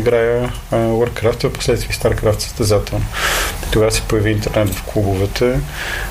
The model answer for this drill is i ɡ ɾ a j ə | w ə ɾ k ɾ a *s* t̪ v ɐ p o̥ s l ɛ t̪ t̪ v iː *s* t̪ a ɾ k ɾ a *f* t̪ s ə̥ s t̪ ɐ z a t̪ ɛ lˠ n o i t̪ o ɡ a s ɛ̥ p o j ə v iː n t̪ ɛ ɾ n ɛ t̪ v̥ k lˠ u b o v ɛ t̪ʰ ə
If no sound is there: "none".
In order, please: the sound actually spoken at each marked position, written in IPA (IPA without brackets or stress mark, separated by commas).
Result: f, s, f